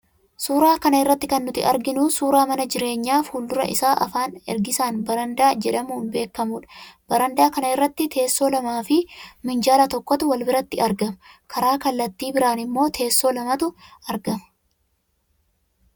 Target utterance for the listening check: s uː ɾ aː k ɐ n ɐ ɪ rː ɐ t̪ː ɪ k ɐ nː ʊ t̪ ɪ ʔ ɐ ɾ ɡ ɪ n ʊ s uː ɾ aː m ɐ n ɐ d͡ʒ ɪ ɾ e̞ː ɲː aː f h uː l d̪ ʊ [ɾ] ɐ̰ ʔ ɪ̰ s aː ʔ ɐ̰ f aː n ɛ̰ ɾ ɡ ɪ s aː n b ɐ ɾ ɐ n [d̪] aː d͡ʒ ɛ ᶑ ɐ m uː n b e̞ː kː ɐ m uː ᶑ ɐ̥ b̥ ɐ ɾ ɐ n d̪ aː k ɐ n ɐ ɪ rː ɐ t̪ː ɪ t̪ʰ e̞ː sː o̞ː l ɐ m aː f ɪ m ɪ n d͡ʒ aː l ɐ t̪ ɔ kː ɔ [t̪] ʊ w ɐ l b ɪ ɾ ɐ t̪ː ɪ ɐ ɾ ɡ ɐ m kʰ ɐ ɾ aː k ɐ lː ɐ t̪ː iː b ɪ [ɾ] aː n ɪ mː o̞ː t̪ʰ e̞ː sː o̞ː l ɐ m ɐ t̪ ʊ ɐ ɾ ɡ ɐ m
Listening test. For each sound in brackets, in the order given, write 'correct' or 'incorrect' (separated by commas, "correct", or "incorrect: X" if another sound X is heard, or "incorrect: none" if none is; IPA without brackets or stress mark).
correct, correct, correct, correct